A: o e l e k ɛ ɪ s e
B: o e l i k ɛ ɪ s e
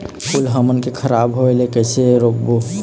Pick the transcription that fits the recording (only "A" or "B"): A